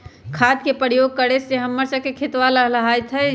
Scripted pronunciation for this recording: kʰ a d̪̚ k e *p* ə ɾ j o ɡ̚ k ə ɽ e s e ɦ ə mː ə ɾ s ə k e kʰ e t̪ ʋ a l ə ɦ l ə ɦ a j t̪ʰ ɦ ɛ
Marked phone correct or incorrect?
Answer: correct